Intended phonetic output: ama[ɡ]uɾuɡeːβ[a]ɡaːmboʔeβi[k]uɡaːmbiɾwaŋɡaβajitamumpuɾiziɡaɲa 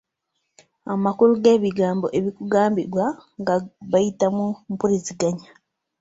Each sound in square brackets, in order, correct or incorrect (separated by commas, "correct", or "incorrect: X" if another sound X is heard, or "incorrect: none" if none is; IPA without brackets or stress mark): incorrect: k, incorrect: i, correct